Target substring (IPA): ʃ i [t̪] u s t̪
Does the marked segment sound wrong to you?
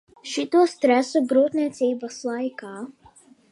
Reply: no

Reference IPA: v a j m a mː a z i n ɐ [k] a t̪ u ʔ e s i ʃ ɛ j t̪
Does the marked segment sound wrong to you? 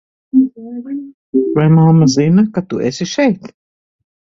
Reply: no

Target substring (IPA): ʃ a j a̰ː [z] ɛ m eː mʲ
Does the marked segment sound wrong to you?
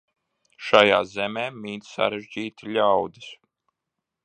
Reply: no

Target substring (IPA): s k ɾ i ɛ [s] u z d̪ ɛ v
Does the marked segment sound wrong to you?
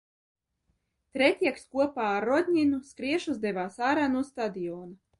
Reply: yes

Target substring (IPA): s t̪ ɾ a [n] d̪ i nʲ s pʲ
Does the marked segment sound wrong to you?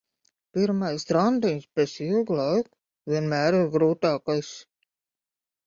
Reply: no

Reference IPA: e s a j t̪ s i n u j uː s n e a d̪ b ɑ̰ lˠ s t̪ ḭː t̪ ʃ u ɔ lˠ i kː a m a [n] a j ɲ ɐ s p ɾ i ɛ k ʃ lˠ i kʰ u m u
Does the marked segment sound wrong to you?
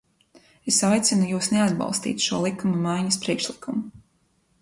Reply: yes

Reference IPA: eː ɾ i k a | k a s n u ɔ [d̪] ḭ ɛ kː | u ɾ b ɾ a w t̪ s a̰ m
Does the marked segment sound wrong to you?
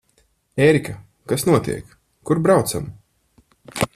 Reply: yes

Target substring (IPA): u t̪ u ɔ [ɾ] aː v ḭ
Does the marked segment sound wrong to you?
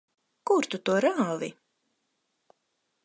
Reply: no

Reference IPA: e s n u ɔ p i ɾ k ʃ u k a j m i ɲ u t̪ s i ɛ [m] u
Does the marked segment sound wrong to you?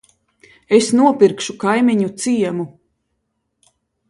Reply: no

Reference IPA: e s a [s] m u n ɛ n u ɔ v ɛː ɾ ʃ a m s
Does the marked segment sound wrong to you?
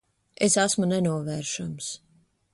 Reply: no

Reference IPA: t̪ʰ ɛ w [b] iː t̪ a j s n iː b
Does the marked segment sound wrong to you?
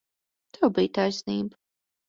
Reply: no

